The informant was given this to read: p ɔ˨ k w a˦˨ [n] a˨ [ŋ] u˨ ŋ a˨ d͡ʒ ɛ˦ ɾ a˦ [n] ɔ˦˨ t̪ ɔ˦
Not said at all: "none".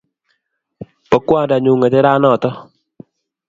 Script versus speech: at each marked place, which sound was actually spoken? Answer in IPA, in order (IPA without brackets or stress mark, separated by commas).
d, ɲ, n